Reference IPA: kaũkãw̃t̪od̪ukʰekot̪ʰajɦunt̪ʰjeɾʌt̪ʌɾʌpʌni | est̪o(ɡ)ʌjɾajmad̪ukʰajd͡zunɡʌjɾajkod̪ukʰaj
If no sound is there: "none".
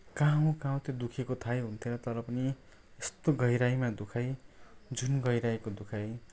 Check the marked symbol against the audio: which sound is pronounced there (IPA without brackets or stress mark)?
ɡ